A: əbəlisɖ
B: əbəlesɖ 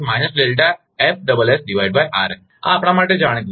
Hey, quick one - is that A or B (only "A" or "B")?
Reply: B